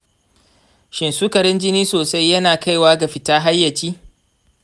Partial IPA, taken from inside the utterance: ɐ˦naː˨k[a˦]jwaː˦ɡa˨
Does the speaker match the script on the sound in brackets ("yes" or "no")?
yes